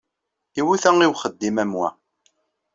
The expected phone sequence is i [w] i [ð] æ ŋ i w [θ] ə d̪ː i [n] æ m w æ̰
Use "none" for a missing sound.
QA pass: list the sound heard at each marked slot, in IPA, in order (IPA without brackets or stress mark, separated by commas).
w, θ, χ, m